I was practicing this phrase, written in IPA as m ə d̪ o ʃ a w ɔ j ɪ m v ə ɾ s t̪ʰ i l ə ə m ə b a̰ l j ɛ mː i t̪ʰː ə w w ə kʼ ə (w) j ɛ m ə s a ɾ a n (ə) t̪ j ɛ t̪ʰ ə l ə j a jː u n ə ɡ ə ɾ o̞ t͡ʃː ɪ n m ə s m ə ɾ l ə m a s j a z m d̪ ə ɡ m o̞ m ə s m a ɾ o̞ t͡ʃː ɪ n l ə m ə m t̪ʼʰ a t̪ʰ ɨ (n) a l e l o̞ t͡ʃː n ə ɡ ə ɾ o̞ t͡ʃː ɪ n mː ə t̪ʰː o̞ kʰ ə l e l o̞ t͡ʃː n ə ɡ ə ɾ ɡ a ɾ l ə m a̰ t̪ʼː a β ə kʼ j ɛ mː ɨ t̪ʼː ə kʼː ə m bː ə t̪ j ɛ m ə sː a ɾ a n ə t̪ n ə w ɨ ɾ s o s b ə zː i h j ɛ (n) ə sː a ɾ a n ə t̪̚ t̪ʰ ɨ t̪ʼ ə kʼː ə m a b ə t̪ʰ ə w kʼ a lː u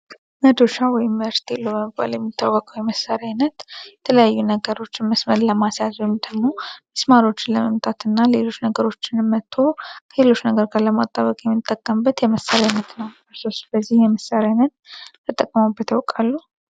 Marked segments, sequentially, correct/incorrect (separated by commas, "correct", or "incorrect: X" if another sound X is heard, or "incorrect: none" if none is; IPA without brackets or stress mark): correct, correct, incorrect: nː, incorrect: m